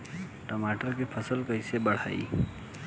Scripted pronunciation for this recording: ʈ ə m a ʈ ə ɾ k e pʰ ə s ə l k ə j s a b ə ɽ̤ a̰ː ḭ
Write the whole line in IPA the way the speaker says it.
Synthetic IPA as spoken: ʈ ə m a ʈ ə ɾ k e pʰ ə s ə l k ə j s e b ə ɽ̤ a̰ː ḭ